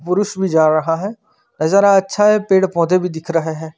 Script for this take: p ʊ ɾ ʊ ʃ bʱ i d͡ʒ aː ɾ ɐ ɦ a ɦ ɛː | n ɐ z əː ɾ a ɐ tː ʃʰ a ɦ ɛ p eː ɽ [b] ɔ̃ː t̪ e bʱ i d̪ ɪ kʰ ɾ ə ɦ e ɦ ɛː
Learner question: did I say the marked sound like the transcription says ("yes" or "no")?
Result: no